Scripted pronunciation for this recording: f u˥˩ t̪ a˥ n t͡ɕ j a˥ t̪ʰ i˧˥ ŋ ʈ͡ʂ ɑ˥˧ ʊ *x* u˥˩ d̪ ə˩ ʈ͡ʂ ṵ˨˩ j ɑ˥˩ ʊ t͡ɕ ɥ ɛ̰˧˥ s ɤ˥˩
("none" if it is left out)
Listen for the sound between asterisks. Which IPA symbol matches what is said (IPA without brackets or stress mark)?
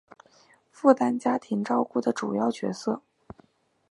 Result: k